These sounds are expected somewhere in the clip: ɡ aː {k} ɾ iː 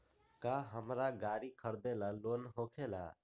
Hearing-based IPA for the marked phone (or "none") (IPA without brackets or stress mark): none